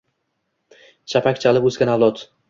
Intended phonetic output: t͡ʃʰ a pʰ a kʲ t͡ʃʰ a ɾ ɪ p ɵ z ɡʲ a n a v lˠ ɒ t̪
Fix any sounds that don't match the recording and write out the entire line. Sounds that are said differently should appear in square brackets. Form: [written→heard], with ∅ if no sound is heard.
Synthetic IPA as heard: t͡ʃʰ a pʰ a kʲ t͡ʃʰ a [ɾ→l] ɪ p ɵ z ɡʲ a n a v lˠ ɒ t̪